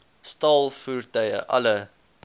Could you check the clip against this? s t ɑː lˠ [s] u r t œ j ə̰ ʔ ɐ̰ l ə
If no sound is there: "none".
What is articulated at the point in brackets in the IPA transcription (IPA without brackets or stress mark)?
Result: f